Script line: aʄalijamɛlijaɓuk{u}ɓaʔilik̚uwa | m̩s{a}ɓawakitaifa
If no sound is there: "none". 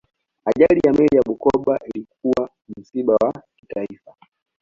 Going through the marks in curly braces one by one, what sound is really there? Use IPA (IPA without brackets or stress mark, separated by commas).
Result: ɔ, i